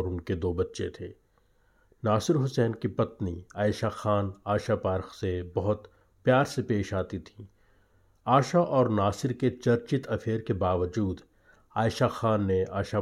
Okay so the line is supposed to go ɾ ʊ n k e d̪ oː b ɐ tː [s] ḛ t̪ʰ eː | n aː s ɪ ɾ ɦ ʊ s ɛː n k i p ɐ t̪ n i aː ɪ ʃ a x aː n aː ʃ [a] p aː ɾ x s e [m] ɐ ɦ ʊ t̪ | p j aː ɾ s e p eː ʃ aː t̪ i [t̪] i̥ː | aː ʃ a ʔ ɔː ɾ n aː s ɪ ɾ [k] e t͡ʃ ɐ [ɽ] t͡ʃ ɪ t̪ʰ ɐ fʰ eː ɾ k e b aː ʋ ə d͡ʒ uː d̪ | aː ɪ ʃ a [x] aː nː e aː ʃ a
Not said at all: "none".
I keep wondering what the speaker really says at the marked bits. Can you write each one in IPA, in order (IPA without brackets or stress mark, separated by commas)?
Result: ʃ, a, b, t̪ʰ, k, ɾ, x